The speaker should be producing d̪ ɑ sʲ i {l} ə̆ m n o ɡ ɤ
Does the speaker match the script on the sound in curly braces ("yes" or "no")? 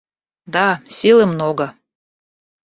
yes